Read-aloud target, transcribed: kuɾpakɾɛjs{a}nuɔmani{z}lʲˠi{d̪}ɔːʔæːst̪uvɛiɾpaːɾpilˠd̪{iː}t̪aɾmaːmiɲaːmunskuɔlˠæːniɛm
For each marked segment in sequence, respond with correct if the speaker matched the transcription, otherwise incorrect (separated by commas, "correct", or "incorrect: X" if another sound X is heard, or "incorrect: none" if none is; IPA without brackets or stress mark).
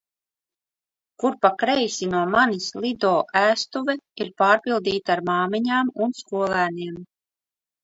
incorrect: i, incorrect: s, correct, correct